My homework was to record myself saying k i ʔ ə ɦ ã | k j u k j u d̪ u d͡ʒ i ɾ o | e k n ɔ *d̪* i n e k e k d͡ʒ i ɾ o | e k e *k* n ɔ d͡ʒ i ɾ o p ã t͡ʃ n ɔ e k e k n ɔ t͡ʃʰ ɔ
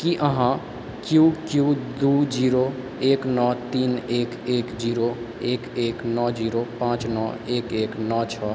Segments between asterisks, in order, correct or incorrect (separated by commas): incorrect, correct